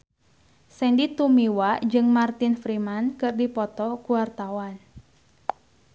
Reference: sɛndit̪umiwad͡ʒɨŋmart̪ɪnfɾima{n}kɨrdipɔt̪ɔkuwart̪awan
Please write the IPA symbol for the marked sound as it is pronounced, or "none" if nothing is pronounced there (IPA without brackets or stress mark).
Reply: n